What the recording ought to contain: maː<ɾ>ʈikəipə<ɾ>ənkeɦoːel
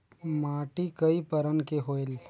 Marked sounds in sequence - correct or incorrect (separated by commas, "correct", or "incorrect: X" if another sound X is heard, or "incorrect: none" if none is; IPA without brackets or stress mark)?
incorrect: none, correct